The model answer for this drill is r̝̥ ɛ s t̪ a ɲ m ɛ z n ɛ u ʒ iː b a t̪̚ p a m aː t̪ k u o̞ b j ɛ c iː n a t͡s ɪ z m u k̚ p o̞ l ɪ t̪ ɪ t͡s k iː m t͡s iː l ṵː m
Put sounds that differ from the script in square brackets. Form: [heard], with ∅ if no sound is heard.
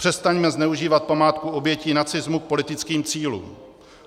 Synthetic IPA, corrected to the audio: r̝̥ ɛ s t̪ a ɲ m ɛ z n ɛ u ʒ iː [v] a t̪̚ p a m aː t̪ k u o̞ b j ɛ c iː n a t͡s ɪ z m u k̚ p o̞ l ɪ t̪ ɪ t͡s k iː m t͡s iː l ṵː m